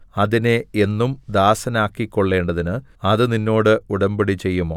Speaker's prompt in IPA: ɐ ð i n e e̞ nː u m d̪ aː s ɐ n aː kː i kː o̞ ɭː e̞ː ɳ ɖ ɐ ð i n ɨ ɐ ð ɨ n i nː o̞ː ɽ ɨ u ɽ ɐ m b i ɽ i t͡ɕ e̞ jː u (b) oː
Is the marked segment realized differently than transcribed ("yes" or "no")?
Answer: yes